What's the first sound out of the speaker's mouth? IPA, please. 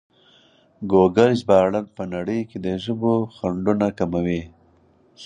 ɡ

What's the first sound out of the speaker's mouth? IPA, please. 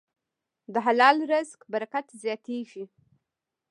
d̪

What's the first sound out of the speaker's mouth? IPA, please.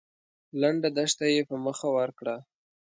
l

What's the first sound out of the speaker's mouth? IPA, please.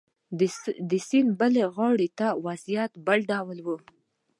d̪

